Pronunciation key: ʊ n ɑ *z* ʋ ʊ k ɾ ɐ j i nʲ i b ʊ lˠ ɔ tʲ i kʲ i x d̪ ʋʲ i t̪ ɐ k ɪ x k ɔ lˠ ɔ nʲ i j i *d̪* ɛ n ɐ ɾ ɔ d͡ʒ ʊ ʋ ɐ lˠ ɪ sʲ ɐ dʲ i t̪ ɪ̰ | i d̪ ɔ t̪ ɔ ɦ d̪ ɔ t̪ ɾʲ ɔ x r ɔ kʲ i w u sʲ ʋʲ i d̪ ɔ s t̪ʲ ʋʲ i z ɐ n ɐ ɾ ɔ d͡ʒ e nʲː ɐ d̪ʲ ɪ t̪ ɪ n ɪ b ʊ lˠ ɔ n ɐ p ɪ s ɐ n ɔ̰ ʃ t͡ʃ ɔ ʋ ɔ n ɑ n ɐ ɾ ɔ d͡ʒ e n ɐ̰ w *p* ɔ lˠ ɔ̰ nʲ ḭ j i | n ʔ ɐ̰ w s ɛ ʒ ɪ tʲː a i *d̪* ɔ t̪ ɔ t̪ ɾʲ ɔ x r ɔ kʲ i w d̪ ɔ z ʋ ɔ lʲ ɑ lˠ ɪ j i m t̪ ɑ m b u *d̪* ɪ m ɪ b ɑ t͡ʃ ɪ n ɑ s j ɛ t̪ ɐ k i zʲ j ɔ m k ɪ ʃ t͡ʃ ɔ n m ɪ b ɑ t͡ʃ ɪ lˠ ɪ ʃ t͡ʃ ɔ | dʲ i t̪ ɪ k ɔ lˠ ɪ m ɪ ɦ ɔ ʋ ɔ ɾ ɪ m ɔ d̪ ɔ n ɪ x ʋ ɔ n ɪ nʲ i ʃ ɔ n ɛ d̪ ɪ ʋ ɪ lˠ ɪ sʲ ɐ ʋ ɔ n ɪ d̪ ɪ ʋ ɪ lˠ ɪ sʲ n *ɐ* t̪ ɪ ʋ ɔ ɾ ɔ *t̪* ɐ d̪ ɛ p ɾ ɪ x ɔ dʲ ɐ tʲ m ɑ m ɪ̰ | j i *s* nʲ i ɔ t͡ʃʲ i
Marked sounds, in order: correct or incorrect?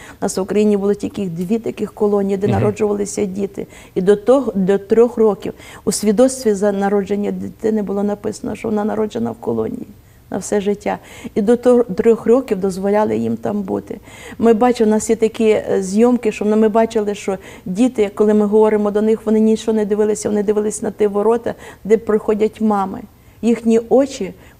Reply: incorrect: s, correct, incorrect: k, correct, incorrect: t̪, correct, correct, incorrect: x

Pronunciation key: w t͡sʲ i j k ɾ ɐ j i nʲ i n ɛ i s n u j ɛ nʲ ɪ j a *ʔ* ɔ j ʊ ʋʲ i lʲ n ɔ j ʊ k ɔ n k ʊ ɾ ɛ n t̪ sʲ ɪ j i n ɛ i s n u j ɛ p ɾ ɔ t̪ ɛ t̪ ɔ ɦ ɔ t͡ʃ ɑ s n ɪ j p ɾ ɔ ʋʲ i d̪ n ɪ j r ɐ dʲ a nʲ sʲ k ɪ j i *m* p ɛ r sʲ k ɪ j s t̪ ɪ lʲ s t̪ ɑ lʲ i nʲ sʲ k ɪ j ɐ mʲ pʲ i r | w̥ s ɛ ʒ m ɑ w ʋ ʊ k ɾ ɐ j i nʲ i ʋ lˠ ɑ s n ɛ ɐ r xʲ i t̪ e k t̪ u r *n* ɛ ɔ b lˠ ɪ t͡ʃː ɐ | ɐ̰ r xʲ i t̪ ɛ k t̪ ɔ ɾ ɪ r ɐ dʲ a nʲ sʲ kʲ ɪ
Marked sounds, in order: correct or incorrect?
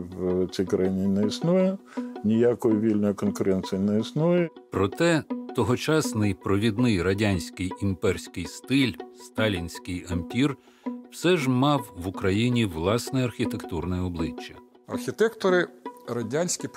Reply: incorrect: k, correct, correct

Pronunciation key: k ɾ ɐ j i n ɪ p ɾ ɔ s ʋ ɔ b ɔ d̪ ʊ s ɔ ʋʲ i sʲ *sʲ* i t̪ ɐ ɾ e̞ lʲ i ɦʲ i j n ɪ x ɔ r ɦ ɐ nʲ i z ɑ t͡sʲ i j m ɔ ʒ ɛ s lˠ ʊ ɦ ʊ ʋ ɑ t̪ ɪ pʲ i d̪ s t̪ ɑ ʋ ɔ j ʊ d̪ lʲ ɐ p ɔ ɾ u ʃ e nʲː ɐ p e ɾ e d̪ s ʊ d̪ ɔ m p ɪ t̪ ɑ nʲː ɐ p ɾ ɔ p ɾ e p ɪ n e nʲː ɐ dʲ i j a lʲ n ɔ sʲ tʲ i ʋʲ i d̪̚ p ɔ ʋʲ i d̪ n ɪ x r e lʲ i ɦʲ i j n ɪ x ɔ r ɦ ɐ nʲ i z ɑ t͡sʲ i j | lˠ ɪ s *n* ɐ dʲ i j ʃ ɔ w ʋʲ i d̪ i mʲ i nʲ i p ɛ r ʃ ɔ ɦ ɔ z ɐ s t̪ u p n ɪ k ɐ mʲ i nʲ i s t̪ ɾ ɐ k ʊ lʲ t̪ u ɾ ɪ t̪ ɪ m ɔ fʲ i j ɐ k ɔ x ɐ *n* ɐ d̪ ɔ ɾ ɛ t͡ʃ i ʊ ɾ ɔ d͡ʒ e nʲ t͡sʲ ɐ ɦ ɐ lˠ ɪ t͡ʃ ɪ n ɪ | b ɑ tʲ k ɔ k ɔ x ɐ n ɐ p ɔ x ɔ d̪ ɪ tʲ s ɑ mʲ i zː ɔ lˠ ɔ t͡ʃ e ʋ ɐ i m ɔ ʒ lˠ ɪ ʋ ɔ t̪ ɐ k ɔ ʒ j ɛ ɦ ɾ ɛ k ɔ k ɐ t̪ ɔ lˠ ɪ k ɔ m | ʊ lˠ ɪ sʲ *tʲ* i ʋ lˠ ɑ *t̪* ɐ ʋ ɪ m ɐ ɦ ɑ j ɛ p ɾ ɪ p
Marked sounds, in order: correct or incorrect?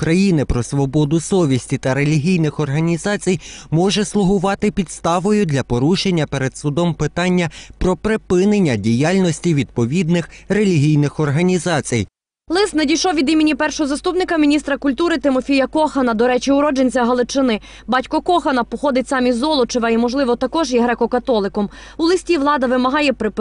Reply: incorrect: tʲ, correct, correct, correct, incorrect: d̪

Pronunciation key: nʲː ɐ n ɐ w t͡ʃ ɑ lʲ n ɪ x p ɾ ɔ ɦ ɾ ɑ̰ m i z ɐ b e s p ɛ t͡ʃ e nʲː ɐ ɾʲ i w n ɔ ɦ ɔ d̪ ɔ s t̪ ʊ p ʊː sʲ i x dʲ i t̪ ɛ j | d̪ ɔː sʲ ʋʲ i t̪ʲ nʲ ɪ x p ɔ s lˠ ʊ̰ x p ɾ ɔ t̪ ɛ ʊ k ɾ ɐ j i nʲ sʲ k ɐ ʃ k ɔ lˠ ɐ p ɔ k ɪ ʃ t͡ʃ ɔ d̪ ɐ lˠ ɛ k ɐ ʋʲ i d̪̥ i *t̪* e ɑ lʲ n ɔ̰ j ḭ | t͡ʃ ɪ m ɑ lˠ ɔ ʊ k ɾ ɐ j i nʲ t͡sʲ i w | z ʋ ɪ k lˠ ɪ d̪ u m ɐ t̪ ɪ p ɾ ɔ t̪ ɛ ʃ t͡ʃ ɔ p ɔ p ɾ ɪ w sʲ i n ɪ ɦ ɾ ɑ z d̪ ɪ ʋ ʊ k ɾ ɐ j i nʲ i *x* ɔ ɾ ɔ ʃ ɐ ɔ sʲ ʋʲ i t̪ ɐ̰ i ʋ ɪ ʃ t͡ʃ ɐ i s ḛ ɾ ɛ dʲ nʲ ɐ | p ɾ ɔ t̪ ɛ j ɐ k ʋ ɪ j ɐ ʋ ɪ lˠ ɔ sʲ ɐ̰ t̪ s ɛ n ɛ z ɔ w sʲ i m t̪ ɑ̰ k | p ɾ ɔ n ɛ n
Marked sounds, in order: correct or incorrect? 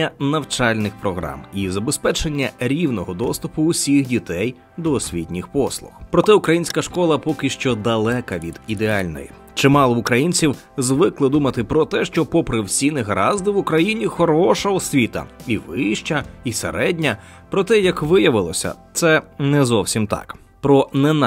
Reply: incorrect: d̪, correct

